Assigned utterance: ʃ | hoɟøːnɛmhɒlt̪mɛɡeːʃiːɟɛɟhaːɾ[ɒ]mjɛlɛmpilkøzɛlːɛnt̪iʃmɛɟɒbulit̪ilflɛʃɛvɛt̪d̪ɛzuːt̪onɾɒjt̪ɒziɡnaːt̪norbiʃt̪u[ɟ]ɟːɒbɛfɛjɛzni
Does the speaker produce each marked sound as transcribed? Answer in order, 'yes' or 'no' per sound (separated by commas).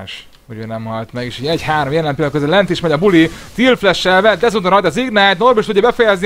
no, no